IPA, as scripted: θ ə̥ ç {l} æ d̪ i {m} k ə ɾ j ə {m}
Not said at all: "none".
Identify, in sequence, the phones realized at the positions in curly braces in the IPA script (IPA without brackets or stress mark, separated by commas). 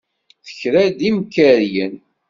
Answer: ɾ, m, n